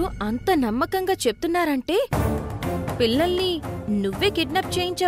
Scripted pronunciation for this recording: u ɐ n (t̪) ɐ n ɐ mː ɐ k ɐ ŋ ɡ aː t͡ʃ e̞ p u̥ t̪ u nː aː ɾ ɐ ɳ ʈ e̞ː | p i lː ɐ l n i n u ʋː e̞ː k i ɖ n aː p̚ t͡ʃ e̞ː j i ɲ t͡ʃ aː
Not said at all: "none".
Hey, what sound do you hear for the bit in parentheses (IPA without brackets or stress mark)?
t̪